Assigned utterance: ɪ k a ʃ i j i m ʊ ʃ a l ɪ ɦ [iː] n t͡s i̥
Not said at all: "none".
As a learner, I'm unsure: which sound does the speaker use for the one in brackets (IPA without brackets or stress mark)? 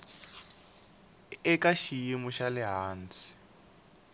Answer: aː